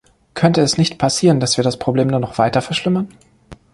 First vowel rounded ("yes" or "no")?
yes